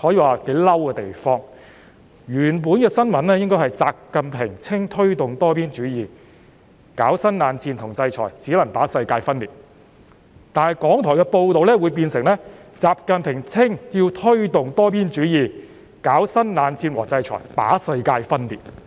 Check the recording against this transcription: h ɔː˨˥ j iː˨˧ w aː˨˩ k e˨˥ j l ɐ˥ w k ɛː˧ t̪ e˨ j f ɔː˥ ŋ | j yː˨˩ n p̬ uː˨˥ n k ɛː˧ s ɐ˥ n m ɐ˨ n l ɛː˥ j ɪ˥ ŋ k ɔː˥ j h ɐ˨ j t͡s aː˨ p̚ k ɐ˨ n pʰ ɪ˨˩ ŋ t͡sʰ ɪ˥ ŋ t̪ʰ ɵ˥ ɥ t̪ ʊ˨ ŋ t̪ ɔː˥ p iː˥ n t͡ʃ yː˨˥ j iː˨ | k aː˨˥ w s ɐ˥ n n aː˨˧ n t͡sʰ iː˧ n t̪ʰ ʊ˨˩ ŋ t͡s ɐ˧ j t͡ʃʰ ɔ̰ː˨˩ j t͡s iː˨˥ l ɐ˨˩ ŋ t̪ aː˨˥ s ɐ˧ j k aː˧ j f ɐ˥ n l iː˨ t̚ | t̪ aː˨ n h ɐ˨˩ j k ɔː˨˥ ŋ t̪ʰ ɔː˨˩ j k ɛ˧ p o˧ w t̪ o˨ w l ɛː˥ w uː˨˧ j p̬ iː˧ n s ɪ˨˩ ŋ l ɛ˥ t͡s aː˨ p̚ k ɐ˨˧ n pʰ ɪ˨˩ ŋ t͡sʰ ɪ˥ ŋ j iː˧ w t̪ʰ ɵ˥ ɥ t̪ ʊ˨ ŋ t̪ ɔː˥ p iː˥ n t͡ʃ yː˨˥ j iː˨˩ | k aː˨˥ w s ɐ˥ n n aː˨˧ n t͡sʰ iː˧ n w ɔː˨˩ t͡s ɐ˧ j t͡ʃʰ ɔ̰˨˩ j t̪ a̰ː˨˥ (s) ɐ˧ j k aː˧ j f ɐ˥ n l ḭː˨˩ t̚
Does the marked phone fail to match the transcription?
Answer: no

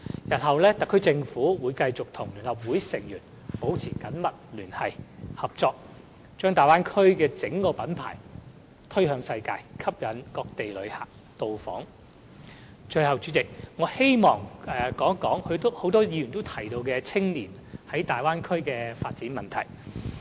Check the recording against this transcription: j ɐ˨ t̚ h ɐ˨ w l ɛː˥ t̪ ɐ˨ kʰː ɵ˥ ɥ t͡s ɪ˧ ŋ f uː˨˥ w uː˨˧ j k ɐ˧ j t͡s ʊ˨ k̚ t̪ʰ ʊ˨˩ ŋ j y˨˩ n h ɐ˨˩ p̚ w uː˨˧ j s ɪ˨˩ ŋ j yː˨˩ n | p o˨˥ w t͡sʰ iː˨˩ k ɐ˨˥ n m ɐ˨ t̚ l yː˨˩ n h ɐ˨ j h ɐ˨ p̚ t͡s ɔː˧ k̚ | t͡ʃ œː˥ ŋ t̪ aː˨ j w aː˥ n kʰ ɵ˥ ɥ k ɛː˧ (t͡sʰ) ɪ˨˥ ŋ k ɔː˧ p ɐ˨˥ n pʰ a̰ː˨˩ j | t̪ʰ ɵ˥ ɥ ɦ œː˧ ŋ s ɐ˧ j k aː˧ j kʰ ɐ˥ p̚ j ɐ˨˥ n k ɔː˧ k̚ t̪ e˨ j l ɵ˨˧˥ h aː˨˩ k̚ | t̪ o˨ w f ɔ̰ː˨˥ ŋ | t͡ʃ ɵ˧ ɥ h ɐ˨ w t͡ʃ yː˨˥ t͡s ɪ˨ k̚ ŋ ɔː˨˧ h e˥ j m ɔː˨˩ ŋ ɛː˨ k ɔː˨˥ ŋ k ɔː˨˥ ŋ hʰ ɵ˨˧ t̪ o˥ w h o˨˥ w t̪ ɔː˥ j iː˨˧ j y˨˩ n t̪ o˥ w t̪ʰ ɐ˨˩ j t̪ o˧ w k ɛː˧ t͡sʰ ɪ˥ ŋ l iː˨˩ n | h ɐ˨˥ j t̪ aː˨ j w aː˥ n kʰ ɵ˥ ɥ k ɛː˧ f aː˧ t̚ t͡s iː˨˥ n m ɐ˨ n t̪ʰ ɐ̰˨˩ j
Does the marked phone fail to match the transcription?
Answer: yes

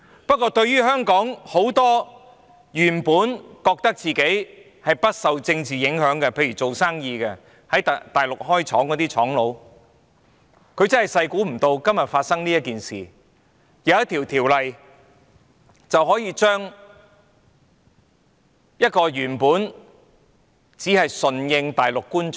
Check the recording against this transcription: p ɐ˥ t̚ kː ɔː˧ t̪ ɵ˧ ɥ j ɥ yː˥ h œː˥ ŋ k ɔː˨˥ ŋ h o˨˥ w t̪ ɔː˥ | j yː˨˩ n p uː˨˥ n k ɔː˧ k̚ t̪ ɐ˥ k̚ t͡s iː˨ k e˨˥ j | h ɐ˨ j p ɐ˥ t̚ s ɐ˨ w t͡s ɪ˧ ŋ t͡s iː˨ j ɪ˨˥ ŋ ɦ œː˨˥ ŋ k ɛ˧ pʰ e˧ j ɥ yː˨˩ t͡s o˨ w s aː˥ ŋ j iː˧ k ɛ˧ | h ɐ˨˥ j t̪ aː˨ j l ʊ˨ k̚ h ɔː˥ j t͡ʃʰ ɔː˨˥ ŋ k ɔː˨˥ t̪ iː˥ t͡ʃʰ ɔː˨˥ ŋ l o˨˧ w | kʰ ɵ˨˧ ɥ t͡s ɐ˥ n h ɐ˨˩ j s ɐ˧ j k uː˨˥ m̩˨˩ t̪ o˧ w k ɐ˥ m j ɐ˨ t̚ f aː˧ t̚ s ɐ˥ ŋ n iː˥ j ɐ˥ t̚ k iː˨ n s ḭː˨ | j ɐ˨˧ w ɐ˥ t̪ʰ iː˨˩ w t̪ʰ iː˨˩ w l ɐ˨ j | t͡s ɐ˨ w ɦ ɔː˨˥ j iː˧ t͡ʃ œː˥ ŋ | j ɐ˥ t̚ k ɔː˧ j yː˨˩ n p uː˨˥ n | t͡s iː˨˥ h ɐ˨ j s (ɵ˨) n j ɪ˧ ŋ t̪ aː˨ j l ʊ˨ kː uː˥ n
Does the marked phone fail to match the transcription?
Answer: no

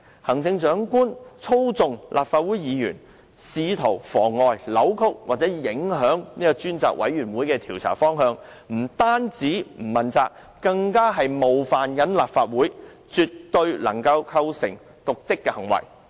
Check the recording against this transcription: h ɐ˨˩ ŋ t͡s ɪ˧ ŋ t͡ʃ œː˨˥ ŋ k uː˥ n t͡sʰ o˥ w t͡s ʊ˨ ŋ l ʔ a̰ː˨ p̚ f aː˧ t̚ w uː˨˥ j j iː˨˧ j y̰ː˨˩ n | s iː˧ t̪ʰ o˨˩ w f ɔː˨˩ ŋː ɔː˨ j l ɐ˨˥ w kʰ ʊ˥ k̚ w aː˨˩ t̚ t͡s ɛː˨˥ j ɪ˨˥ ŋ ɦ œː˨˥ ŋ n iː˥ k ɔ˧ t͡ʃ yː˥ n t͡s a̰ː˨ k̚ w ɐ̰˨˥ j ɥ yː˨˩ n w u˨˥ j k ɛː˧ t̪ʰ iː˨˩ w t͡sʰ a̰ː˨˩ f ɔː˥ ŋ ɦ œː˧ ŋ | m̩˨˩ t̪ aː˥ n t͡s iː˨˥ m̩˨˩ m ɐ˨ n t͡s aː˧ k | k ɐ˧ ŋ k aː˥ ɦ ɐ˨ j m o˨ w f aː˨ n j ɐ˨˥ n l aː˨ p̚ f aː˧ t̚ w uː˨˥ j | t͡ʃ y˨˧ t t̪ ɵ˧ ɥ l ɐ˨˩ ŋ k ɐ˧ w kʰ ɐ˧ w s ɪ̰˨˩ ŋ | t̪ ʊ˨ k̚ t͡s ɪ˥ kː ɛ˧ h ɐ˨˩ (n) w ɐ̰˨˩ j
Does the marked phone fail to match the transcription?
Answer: yes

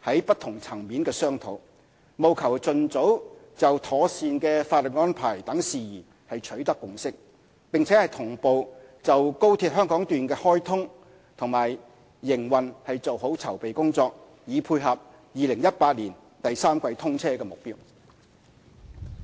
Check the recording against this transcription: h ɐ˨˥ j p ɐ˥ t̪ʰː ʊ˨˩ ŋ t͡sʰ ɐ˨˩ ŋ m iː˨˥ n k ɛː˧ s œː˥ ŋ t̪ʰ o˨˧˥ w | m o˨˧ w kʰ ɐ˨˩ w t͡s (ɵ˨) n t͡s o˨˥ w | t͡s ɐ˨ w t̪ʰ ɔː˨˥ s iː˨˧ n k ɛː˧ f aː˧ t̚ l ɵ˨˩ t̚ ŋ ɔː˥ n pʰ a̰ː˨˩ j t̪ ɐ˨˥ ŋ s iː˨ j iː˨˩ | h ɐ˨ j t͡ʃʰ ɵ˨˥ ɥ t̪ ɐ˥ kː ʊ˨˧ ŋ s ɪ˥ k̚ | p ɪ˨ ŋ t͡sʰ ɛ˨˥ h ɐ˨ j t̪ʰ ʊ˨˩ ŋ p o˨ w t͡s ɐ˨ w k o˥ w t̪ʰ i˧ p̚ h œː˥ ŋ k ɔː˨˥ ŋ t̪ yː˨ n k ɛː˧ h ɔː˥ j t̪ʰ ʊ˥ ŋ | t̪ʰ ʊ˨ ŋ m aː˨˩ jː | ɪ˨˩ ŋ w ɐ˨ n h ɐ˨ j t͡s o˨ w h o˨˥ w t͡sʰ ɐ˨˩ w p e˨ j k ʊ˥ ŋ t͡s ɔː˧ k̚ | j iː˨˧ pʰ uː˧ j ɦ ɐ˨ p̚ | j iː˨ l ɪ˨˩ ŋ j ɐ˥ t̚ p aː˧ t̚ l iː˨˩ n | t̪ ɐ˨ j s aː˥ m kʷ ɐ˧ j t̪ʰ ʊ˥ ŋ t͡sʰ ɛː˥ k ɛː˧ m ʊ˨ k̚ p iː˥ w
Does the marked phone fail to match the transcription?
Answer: no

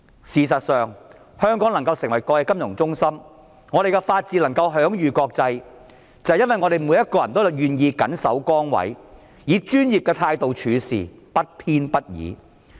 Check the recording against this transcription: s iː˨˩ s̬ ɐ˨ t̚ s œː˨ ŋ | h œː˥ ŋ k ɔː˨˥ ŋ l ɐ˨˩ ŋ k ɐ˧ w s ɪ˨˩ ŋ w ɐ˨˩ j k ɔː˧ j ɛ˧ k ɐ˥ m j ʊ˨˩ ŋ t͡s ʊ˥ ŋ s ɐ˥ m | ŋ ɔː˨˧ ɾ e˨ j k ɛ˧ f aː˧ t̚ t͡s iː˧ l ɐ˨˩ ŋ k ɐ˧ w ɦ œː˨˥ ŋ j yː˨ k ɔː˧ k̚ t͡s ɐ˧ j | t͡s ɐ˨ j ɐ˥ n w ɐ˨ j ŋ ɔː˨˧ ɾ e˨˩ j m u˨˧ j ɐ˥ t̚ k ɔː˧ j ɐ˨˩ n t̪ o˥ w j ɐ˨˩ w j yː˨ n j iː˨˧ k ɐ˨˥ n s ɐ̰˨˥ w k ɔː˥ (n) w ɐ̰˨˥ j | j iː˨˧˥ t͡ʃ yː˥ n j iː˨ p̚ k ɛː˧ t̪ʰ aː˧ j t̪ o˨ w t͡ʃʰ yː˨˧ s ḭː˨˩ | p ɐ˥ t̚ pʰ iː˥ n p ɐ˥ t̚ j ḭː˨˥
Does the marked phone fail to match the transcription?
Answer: yes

